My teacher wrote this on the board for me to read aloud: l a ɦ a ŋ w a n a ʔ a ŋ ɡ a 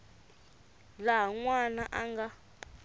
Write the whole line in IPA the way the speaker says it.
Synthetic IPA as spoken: l a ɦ a ŋ w a n a ʔ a ŋ ɡ a